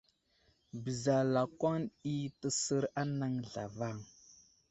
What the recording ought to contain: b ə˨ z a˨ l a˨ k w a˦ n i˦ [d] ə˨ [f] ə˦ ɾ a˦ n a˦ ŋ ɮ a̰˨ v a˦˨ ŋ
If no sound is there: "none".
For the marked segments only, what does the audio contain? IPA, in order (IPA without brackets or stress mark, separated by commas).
t, s